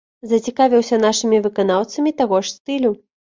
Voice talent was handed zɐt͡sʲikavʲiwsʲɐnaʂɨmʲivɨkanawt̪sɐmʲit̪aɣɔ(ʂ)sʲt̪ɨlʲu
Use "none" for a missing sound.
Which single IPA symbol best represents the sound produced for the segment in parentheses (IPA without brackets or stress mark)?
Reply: ʂ